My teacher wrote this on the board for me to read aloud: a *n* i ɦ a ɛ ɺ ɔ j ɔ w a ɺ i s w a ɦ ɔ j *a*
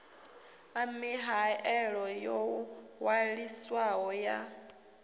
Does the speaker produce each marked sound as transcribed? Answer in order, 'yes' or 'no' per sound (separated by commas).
no, yes